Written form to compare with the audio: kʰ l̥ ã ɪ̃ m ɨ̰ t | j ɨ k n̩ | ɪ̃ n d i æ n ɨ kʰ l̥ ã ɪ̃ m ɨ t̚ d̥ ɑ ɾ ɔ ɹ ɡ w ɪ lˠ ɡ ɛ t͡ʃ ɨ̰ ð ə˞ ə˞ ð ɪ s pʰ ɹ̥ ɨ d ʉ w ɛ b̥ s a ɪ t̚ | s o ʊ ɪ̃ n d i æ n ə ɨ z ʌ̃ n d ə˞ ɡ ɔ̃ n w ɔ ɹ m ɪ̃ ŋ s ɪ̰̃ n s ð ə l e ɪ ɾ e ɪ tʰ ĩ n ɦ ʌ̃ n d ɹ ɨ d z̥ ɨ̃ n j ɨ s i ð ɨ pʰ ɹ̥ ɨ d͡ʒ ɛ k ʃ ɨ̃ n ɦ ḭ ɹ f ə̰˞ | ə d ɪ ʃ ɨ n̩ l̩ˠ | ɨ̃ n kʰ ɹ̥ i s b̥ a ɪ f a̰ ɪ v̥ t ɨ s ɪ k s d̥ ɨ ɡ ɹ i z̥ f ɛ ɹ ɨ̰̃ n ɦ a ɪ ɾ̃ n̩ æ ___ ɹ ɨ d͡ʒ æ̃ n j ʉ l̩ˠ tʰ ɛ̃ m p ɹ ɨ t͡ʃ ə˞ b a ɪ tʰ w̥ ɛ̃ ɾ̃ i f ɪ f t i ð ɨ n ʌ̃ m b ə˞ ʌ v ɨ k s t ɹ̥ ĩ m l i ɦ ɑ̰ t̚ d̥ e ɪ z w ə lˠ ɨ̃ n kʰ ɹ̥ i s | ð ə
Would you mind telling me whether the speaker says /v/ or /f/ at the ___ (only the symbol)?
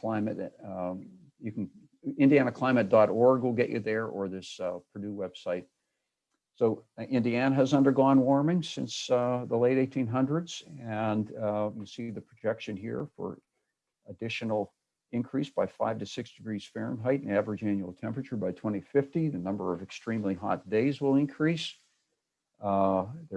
v